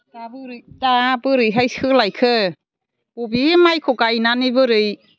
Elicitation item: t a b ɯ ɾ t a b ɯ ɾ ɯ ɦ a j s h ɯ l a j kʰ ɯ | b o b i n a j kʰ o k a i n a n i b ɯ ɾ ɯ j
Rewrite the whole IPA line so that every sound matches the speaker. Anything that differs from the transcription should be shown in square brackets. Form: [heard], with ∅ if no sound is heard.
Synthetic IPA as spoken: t a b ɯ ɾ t a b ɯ ɾ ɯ ɦ a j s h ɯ l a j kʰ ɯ | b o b i [m] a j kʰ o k a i n a n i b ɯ ɾ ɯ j